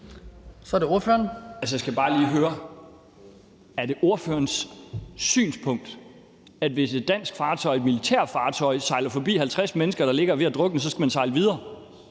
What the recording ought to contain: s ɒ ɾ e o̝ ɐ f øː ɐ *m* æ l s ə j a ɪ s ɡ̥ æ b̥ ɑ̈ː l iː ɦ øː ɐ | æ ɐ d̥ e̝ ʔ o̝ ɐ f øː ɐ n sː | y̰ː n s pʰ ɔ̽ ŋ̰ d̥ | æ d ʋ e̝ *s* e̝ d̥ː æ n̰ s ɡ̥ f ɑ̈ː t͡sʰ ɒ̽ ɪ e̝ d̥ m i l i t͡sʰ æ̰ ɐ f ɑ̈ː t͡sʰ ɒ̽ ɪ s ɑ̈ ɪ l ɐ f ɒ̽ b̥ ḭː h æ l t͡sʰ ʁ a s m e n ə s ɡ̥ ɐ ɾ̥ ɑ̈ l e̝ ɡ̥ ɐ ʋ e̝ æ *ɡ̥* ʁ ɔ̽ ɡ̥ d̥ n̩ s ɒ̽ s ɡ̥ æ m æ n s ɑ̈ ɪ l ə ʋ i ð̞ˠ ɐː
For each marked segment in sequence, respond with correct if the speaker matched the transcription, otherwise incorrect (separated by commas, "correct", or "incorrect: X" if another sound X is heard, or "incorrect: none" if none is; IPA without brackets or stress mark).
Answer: incorrect: n, correct, incorrect: d̥